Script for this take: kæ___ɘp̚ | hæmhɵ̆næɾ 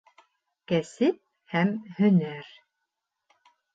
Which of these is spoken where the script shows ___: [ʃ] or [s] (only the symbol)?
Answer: s